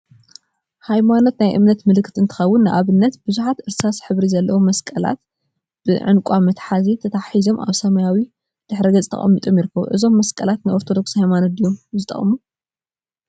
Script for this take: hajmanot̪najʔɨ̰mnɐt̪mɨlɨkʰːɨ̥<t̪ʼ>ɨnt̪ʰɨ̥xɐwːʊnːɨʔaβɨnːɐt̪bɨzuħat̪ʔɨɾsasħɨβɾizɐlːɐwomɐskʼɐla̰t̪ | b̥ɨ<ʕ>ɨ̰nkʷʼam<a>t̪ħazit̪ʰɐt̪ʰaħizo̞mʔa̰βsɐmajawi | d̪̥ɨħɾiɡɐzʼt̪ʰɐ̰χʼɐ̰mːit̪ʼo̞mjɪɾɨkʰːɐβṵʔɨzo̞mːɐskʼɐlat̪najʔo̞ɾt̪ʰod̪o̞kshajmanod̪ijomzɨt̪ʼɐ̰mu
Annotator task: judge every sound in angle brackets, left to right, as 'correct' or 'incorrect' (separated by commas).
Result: incorrect, correct, incorrect